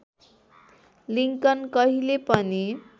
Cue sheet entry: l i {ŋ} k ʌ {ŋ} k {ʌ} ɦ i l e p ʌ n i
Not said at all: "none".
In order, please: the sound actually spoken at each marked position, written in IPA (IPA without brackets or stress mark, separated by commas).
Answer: ŋ, n, ʌ